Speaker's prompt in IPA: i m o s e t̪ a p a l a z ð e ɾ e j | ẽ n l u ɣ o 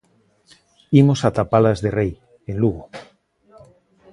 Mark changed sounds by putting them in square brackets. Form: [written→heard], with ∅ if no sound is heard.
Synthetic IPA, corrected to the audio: i m o s [e→a] t̪ a p a l a z ð e [ɾ→r] e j | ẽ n l u ɣ o